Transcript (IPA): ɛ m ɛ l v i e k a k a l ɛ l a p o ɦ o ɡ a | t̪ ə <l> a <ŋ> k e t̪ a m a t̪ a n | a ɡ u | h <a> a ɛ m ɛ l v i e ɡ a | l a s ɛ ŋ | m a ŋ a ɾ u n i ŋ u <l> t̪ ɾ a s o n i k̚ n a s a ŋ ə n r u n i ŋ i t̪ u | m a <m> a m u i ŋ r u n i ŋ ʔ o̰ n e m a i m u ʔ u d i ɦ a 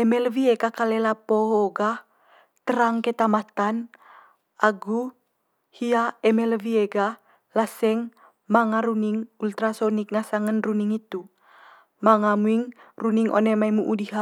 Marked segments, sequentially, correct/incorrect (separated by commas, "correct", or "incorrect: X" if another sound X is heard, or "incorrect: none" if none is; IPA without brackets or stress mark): incorrect: ɾ, correct, incorrect: i, correct, incorrect: ŋ